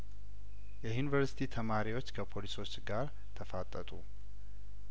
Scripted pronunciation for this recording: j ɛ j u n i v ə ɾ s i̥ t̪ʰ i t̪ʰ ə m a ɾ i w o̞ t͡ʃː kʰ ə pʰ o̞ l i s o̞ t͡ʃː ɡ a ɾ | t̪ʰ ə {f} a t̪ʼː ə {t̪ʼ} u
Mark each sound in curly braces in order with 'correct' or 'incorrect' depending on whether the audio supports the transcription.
correct, correct

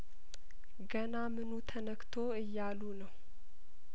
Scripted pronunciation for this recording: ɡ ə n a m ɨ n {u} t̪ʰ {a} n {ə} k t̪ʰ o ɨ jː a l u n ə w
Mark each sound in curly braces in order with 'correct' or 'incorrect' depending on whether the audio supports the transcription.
correct, incorrect: ə, correct

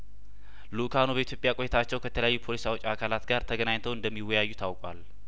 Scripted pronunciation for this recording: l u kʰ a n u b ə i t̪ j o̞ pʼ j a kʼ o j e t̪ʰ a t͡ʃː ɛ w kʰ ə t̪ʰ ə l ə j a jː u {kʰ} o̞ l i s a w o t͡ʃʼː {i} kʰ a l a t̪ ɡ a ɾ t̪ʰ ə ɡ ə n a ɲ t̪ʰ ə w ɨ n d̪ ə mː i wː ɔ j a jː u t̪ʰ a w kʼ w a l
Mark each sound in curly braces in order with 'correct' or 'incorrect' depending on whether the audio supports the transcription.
incorrect: pʰ, incorrect: a

